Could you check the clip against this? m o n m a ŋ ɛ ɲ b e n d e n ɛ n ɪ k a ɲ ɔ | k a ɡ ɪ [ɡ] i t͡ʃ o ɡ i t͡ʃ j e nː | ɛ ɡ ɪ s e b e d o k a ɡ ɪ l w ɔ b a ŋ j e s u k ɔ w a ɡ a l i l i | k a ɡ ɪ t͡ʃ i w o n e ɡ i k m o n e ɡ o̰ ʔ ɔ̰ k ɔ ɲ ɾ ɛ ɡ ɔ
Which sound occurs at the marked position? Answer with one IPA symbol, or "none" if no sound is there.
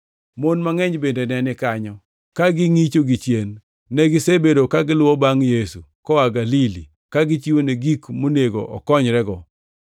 ŋ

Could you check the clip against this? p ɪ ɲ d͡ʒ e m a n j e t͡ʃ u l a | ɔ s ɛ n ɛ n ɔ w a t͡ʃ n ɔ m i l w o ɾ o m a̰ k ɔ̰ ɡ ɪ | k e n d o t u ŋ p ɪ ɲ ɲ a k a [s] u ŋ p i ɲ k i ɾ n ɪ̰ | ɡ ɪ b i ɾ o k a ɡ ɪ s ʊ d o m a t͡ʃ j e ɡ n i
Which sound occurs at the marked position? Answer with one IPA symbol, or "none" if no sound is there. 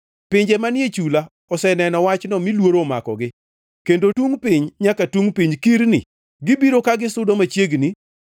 t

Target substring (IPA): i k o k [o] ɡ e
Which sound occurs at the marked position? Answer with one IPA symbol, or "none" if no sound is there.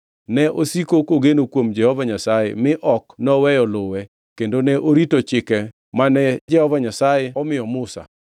o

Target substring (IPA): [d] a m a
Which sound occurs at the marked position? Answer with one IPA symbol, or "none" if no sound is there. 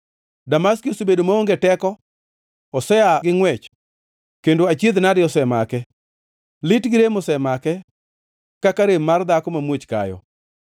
d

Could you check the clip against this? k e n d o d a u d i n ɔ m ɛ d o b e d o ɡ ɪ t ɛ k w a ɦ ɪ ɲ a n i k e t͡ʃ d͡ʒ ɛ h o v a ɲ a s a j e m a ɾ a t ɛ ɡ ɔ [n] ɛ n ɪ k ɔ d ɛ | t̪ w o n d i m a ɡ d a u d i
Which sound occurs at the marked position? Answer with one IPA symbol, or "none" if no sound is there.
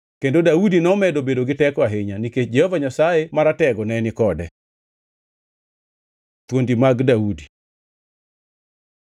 n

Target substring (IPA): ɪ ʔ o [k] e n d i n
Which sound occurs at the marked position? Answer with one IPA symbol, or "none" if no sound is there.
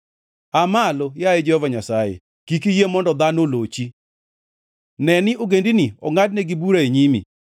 ɡ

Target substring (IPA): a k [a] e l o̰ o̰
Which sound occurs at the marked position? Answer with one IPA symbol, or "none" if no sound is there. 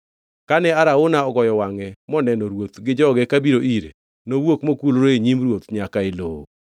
a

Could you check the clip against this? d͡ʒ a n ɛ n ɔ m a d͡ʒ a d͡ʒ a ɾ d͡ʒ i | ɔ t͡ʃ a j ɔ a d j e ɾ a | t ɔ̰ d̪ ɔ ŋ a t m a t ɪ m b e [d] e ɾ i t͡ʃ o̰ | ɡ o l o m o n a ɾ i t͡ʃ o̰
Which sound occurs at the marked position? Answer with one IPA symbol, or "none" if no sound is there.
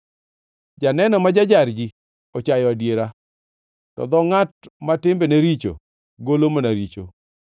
n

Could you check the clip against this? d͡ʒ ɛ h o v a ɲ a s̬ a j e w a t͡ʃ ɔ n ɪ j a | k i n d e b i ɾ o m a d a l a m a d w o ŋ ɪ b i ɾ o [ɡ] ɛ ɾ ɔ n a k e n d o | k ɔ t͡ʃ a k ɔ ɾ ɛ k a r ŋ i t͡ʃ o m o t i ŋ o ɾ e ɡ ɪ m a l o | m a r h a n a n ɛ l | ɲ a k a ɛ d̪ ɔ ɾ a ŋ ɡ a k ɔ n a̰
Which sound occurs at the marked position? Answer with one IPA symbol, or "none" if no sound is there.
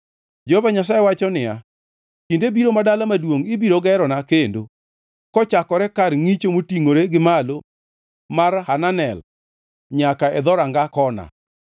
ɡ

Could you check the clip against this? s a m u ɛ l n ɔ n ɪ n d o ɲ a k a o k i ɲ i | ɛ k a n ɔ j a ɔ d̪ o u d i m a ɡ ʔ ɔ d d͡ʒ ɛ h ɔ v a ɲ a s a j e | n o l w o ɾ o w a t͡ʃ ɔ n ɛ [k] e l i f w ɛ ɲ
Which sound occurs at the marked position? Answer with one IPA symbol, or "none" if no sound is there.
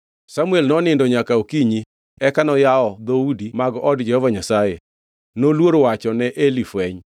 ʔ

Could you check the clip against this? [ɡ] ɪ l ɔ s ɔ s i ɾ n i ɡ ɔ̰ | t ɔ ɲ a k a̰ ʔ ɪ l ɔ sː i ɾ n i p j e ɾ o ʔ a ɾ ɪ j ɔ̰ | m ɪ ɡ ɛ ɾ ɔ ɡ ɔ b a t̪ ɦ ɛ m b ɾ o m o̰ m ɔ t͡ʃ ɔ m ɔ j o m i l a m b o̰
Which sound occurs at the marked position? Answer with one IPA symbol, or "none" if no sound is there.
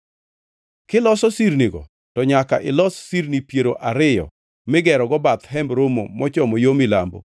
k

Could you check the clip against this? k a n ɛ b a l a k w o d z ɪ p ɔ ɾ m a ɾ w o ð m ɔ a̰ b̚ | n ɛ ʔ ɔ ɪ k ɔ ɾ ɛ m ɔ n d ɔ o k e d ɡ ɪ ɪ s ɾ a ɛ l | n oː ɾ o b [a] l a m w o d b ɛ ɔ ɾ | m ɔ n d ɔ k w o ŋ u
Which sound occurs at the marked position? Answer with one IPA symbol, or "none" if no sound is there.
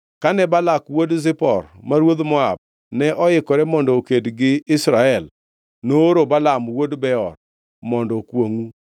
a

